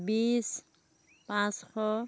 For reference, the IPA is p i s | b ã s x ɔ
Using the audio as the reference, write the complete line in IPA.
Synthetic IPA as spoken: b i s | p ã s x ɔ